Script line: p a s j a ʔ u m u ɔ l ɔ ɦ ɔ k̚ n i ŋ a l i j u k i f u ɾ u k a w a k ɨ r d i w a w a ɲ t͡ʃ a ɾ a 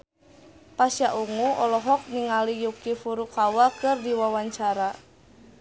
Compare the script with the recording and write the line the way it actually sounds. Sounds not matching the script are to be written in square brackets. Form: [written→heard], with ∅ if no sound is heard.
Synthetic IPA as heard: p a s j a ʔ u [m→ŋ] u ɔ l ɔ ɦ ɔ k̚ n i ŋ a l i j u k i f u ɾ u k a w a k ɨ r d i w a w a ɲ t͡ʃ a ɾ a